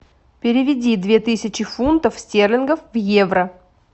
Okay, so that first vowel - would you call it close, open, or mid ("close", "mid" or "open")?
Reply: close